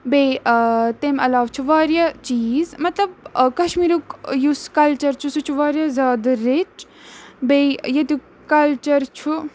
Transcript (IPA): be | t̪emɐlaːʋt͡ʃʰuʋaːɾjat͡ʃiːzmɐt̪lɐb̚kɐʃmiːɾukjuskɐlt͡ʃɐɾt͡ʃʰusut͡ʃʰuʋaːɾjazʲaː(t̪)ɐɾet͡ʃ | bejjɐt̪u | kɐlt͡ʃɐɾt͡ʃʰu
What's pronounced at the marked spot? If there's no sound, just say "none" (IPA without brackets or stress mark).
d̪